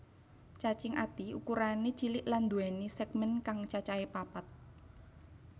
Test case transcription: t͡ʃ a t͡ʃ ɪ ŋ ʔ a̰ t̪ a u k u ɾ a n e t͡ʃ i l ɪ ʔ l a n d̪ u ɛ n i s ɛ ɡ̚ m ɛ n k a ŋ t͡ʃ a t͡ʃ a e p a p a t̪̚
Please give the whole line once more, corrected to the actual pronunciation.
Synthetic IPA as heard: t͡ʃ a t͡ʃ ɪ ŋ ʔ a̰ t̪ i u k u ɾ a n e t͡ʃ i l ɪ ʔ l a n d̪ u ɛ n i s ɛ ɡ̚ m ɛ n k a ŋ t͡ʃ a t͡ʃ a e p a p a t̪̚